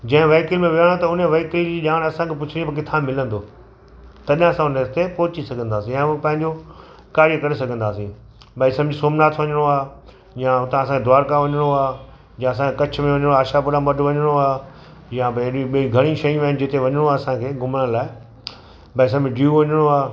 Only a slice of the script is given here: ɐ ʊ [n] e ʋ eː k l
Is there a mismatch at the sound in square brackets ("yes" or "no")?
no